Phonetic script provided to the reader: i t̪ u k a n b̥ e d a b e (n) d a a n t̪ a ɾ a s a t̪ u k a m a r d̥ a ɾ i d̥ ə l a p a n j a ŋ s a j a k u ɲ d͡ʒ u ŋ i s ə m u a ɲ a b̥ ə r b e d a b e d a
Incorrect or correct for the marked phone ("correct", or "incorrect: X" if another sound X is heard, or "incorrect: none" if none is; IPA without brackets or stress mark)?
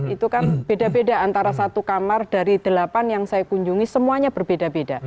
incorrect: none